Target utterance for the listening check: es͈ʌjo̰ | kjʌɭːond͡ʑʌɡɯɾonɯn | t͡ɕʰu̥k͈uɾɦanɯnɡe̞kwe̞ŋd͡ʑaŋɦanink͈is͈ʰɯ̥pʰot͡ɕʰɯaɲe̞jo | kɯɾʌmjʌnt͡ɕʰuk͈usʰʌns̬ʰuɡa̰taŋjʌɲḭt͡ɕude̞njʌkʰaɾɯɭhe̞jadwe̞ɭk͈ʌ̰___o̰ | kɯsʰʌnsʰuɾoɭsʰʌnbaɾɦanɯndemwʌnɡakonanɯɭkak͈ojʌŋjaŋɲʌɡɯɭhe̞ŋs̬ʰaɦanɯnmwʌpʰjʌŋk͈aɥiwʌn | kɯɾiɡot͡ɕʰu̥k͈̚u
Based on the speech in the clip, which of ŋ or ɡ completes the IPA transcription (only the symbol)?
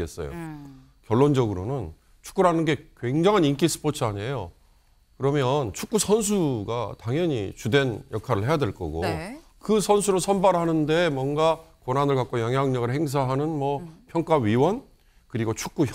ɡ